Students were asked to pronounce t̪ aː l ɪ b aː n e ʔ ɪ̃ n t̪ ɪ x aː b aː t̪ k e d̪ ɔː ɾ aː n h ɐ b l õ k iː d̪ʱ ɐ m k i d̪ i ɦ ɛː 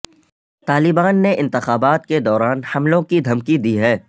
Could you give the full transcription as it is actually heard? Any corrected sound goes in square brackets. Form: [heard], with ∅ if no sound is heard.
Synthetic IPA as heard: t̪ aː l ɪ b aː [nː] e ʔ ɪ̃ n t̪ ɪ x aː b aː t̪ k e d̪ ɔː ɾ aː n h ɐ [m] l õ k [i] d̪ʱ ɐ m k i d̪ i ɦ ɛː